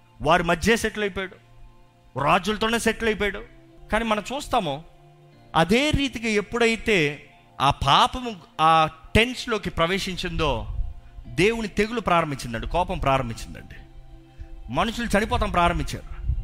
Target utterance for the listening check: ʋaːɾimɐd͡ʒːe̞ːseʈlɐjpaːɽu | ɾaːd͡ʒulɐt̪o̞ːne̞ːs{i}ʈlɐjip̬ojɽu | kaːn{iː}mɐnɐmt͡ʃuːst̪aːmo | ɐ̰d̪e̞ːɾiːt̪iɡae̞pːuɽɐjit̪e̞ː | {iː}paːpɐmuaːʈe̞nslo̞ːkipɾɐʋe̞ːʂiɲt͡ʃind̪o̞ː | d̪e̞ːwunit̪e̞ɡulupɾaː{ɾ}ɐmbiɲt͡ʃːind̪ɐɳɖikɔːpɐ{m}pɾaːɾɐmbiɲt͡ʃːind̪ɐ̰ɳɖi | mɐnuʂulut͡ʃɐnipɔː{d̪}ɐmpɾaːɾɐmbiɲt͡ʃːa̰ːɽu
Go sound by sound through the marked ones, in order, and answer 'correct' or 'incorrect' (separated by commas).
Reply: incorrect, correct, incorrect, correct, correct, incorrect